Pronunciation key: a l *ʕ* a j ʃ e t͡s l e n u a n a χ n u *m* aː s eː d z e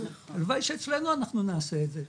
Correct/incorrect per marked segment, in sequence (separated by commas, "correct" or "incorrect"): incorrect, incorrect